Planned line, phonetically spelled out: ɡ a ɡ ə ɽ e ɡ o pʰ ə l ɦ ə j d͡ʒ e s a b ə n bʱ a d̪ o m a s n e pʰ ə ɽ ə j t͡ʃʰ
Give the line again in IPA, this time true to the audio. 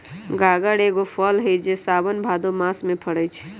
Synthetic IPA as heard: ɡ a ɡ ə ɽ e ɡ o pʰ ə l ɦ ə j d͡ʒ e s a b ə n bʱ a d̪ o m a s m e pʰ ə ɽ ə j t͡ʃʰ